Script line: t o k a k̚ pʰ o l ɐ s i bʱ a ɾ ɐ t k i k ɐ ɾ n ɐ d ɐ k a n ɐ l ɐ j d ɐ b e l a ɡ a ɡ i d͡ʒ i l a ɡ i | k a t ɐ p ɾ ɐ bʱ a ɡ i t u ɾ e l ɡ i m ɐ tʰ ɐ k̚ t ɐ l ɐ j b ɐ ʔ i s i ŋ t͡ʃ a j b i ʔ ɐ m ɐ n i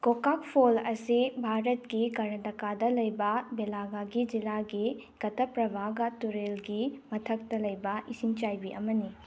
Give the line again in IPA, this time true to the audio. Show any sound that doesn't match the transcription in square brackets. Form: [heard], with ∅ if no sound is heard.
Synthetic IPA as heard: [k] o k a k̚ pʰ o l ɐ s i bʱ a ɾ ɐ t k i k ɐ ɾ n ɐ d ɐ k a [d] ɐ l ɐ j [b] ɐ b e l a ɡ a ɡ i d͡ʒ i l a ɡ i | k [ɐ] t ɐ p ɾ ɐ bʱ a ɡ [a] t u ɾ e l ɡ i m ɐ tʰ ɐ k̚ t ɐ l ɐ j b ɐ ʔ i s i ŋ t͡ʃ a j b i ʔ ɐ m ɐ n i